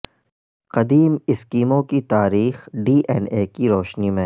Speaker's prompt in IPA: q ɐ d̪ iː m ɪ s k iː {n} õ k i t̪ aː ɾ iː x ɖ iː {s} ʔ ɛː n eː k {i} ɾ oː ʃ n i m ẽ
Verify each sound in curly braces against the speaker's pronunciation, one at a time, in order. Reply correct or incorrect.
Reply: incorrect, incorrect, correct

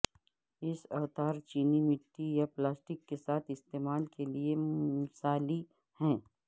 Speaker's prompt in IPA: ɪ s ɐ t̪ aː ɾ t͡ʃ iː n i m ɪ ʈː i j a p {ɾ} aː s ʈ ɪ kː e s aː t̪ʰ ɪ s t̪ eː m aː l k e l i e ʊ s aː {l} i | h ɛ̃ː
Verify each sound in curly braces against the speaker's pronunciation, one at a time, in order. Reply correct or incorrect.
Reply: incorrect, correct

